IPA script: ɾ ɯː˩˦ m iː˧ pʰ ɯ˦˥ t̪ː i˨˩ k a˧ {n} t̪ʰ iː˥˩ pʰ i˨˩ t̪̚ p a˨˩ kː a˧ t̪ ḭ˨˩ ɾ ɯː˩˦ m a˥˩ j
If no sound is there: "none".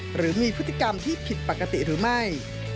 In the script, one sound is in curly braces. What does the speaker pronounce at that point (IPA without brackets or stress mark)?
m